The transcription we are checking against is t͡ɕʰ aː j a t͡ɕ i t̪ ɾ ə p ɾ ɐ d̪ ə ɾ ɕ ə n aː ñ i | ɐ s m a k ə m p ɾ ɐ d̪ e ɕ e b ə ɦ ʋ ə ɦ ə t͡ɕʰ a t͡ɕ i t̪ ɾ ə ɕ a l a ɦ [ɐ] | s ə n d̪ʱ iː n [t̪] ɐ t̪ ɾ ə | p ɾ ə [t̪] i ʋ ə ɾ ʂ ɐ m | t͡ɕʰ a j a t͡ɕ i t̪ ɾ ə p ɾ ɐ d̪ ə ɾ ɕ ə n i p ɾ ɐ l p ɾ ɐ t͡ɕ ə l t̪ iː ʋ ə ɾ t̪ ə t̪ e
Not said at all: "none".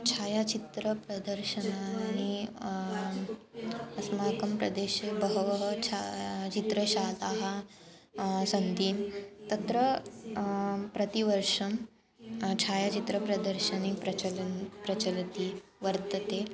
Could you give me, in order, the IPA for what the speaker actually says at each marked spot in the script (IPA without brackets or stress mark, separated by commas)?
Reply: a, t̪, t̪